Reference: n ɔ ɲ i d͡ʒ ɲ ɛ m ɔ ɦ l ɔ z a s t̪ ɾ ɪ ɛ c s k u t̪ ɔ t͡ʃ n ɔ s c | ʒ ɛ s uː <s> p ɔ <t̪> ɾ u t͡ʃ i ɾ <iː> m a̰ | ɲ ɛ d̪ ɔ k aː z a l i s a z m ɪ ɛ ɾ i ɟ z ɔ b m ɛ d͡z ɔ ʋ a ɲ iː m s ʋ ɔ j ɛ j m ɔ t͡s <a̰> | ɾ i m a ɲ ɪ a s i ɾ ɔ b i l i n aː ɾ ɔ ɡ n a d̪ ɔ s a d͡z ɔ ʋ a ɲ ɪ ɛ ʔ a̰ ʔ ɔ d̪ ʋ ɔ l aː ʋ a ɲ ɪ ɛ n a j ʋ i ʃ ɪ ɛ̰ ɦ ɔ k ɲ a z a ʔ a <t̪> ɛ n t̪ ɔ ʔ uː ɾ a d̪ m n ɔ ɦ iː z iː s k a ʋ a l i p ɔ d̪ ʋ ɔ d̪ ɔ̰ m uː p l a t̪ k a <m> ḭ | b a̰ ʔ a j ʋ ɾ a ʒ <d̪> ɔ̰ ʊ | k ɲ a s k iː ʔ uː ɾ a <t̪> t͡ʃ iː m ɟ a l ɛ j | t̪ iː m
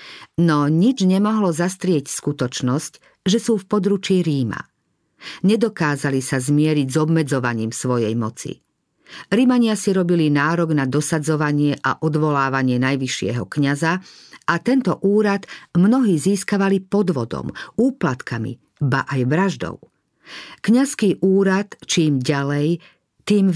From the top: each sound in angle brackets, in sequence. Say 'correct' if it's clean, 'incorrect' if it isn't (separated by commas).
incorrect, incorrect, correct, incorrect, correct, correct, correct, correct